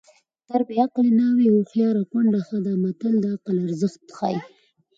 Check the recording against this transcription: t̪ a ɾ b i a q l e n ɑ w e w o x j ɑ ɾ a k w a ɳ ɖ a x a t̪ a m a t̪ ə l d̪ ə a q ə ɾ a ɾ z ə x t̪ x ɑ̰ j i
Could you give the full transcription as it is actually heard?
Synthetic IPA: t̪ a ɾ b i a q l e n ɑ w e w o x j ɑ ɾ a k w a ɳ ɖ a x a d̪ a m a t̪ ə l d̪ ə a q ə l a ɾ z ə x t̪ x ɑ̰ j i